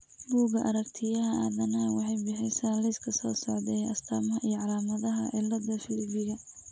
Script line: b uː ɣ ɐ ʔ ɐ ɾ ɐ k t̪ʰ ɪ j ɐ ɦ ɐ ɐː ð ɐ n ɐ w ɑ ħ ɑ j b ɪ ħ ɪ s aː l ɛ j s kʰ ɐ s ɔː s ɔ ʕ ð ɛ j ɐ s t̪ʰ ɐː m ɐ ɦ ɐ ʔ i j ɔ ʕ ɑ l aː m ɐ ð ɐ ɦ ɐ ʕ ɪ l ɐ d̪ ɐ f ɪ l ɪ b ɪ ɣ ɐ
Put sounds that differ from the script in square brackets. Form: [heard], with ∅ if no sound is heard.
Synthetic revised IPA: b uː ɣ ɐ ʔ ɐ ɾ ɐ k t̪ʰ ɪ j ɐ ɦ ɐ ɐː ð ɐ n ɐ w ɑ ħ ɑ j b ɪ ħ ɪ s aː l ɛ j s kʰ ɐ s ɔː s ɔ ʕ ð ɛ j ɐ s t̪ʰ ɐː m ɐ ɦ ɐ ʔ i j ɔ ʕ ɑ l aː m ɐ ð ɐ ɦ ɐ ʕ ɪ l ɐ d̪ ɐ f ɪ l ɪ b ɪ ɣ ɐ